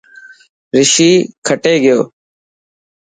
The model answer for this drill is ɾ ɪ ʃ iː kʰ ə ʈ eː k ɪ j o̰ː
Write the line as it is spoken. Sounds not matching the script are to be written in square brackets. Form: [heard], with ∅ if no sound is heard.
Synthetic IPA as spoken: ɾ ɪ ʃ iː kʰ ə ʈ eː [ɡ] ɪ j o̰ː